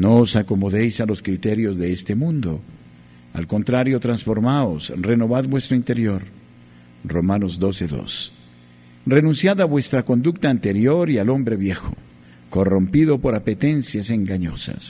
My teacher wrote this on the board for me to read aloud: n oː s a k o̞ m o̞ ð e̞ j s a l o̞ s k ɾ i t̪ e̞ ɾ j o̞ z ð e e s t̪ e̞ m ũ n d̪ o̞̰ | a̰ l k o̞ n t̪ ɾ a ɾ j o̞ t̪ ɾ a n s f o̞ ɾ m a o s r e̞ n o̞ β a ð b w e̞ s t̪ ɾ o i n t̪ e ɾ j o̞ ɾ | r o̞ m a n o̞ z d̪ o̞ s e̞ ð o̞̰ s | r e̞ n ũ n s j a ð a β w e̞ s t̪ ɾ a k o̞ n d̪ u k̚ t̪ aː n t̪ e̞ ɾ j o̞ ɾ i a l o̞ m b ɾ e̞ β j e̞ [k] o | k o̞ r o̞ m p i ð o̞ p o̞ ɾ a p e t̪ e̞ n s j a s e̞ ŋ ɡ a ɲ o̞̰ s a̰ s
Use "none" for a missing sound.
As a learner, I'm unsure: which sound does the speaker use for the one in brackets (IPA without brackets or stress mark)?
x